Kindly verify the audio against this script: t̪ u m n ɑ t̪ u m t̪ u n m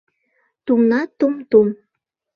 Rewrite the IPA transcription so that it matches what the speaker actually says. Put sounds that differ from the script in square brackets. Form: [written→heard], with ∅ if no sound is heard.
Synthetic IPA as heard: t̪ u m n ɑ t̪ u m t̪ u [n→∅] m

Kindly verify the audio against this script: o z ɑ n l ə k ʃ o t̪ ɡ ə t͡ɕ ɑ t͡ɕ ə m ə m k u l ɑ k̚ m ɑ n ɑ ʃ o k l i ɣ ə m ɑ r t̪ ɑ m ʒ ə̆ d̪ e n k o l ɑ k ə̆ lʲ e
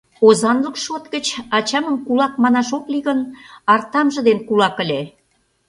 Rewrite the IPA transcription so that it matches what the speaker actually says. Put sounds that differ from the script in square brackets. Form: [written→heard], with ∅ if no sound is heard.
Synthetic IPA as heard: o z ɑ n l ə k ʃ o t̪ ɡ ə t͡ɕ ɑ t͡ɕ [ə→ɑ] m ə m k u l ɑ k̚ m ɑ n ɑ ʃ o k l i ɣ ə [m→n] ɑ r t̪ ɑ m ʒ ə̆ d̪ e n k [o→u] l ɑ k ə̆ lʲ e

